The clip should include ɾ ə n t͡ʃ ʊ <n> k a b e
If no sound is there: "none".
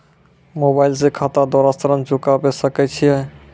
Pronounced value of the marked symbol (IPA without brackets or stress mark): none